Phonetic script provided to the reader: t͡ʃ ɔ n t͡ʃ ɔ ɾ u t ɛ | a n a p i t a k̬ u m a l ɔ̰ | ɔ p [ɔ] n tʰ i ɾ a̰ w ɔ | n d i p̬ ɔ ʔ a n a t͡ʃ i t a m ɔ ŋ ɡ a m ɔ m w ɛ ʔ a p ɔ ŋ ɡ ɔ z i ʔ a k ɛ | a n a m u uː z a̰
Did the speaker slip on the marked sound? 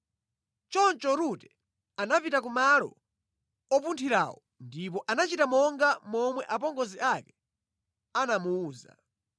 yes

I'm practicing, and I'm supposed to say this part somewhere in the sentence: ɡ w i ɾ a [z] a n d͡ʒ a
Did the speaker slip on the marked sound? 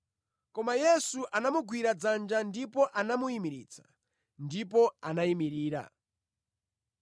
yes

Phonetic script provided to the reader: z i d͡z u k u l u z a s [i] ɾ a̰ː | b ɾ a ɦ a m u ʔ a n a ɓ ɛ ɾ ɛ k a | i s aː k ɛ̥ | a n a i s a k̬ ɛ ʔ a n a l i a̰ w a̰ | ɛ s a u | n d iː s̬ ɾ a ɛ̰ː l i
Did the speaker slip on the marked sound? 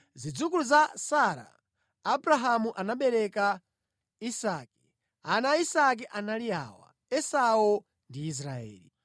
yes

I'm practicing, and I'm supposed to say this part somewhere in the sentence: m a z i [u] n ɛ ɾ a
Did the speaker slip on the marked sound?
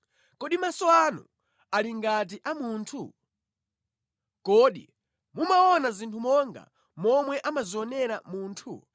yes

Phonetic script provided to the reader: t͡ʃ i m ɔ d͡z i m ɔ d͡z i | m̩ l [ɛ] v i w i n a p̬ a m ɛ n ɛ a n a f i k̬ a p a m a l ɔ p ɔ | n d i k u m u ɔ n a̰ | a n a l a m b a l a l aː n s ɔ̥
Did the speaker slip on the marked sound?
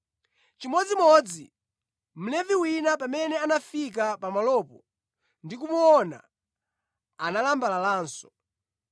no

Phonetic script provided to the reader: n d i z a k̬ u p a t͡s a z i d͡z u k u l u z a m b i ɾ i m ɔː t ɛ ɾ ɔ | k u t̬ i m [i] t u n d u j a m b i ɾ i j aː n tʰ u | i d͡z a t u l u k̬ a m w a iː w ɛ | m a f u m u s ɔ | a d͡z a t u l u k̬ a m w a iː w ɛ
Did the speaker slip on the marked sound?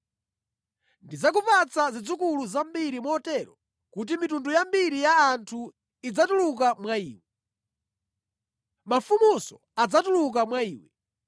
no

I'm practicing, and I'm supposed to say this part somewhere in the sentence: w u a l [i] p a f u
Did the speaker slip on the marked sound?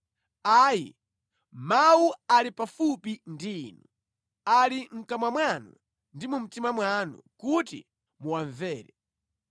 no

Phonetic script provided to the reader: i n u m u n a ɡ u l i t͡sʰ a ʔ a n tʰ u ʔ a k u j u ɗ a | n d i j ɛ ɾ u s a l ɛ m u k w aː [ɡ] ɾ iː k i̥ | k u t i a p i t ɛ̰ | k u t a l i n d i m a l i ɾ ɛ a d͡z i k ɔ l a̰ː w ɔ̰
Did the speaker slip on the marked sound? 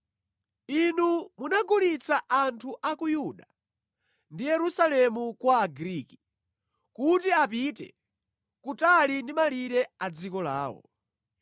no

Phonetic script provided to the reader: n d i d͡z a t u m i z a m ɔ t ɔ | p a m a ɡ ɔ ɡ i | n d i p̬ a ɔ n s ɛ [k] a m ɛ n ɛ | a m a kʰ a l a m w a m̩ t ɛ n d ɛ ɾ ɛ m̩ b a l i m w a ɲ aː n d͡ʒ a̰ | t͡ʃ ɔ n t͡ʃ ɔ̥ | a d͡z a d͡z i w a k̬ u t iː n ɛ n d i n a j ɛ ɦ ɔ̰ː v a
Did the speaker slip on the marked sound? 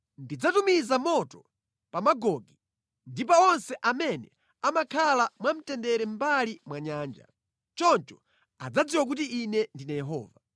yes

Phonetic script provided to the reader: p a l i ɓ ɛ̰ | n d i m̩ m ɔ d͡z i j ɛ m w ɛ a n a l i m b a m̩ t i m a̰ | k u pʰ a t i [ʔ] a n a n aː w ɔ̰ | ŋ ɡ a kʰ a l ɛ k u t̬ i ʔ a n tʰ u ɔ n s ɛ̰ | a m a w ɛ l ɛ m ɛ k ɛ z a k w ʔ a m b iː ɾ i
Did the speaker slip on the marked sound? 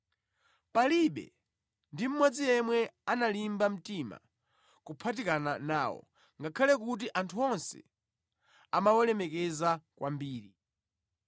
yes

